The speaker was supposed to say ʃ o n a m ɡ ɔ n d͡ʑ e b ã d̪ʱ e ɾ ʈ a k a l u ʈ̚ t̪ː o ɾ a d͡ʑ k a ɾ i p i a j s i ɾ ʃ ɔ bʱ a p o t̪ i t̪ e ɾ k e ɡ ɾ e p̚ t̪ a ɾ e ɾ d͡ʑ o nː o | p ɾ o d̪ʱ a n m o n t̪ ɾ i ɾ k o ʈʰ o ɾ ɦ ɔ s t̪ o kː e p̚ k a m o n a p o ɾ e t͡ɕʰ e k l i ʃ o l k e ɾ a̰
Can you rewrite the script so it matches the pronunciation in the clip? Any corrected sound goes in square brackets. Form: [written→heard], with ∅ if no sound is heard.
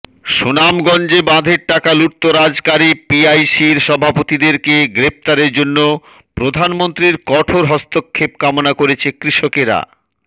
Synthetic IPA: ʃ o n a m ɡ ɔ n d͡ʑ e b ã d̪ʱ e ɾ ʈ a k a l u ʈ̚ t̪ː o ɾ a d͡ʑ k a ɾ i p i a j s i ɾ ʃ ɔ bʱ a p o t̪ i [t̪→d̪] e ɾ k e ɡ ɾ e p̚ t̪ a ɾ e ɾ d͡ʑ o nː o | p ɾ o d̪ʱ a n m o n t̪ ɾ i ɾ k [o→ɔ] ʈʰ o ɾ ɦ ɔ s t̪ o [kː→kʰː] e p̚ k a m o n a [p→k] o ɾ e t͡ɕʰ e k [l→ɾ] i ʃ o [l→∅] k e ɾ a̰

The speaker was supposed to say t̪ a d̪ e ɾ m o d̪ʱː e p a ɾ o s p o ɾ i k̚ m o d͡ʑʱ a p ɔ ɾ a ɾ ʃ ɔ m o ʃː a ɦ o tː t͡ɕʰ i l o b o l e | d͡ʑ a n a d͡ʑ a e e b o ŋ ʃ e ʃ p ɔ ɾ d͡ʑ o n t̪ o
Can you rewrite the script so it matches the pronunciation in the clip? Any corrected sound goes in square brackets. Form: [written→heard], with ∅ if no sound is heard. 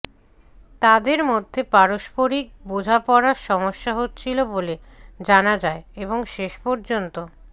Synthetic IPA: t̪ a d̪ e ɾ m o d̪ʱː e p a ɾ o [s→ʃ] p o ɾ i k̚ [m→b] o d͡ʑʱ a p ɔ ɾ a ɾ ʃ ɔ m o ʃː a ɦ o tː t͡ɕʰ i l o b o l e | d͡ʑ a n a d͡ʑ a e e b o ŋ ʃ e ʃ p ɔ ɾ d͡ʑ o n t̪ o

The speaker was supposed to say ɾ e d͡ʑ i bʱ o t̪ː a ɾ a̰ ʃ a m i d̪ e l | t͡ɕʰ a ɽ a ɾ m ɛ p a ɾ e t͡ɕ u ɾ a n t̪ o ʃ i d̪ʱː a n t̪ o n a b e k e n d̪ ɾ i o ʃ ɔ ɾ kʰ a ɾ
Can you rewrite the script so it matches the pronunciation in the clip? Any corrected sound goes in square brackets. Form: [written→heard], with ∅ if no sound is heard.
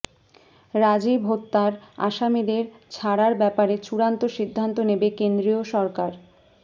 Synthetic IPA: ɾ [e→a] d͡ʑ i bʱ o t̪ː a ɾ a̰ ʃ a m i d̪ e [l→ɾ] | t͡ɕʰ a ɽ a ɾ [m→b] ɛ p a ɾ e t͡ɕ u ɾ a n t̪ o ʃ i d̪ʱː a n t̪ o n [a→e] b e k e n d̪ ɾ i o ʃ ɔ ɾ [kʰ→k] a ɾ

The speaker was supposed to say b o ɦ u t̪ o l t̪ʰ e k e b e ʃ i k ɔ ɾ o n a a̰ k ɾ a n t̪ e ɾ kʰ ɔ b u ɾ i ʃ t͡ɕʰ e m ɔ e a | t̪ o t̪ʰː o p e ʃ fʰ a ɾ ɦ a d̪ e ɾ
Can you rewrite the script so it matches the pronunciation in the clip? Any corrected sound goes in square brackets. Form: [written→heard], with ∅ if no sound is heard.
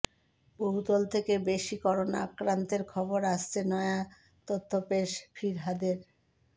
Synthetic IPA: b o ɦ u t̪ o l t̪ʰ e k e b e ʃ i k ɔ ɾ o n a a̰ k ɾ a n t̪ e ɾ kʰ ɔ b [u→o] ɾ [i→a] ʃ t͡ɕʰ e [m→n] ɔ e a | t̪ o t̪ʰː o p e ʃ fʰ [a→i] ɾ ɦ a d̪ e ɾ

